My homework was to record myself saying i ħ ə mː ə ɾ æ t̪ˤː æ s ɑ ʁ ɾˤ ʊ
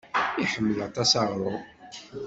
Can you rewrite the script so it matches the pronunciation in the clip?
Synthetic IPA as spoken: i ħ ə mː ə l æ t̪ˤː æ s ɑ ʁ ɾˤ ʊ